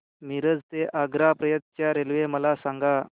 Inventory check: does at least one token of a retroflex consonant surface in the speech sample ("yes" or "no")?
no